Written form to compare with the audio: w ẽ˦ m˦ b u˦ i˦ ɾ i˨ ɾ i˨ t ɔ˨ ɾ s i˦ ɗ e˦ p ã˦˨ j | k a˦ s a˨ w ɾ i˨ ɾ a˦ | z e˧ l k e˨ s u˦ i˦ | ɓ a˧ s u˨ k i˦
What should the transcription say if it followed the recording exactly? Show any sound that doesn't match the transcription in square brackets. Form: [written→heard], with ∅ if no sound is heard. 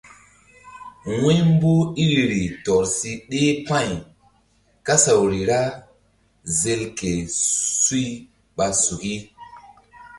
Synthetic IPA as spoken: w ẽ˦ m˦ b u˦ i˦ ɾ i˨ ɾ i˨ t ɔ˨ ɾ s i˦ ɗ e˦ p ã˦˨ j | k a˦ s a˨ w ɾ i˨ ɾ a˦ | z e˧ l k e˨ s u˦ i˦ | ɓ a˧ s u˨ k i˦